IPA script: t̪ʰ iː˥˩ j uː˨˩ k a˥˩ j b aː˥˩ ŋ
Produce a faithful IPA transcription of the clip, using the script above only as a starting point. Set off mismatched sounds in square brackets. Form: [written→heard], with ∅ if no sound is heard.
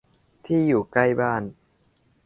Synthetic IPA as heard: t̪ʰ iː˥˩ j uː˨˩ k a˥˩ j b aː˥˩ [ŋ→n]